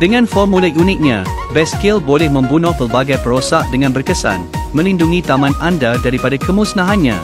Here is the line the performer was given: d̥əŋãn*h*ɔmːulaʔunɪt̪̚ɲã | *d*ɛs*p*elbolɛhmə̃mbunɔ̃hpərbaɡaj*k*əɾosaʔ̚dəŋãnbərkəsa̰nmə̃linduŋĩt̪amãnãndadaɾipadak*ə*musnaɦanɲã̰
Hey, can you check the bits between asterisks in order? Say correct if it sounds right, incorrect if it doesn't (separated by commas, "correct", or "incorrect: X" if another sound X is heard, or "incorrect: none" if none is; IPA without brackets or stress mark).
incorrect: f, incorrect: b, incorrect: k, incorrect: p, correct